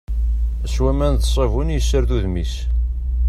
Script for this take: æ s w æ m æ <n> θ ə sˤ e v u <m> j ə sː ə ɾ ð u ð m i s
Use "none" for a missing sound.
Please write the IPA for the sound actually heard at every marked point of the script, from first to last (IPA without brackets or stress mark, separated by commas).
n, n